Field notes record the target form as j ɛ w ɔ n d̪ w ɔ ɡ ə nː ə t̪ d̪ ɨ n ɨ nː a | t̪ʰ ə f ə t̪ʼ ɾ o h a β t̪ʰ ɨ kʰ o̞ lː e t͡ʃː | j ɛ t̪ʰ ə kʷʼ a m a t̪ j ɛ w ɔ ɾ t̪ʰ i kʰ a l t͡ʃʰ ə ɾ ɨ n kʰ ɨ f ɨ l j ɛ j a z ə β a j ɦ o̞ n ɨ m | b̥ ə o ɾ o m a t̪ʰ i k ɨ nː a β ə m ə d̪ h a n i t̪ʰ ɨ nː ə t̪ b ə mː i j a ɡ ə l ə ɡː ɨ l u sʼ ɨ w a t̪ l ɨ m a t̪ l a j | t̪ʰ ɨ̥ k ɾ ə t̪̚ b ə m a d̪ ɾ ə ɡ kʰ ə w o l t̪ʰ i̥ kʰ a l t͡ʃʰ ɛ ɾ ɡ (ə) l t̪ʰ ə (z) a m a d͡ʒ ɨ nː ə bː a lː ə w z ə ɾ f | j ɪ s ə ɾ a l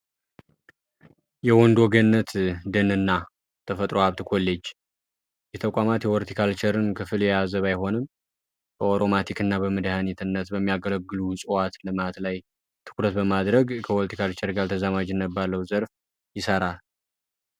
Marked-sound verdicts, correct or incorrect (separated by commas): incorrect, correct